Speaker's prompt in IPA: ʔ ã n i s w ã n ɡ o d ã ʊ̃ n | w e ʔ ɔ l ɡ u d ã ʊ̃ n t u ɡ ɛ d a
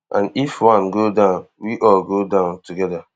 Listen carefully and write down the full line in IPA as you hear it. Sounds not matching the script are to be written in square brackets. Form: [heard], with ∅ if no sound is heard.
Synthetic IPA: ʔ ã n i [f] w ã n ɡ o d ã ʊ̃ n | w [i] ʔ ɔ l ɡ [o] d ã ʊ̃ n t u ɡ ɛ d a